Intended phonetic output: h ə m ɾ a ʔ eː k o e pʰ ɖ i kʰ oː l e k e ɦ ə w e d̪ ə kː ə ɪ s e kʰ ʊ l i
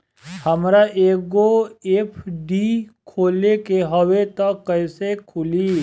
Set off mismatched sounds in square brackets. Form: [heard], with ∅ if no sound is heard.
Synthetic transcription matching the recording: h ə m ɾ a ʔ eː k o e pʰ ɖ i kʰ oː l e k e ɦ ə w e [t̪] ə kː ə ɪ s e kʰ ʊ l i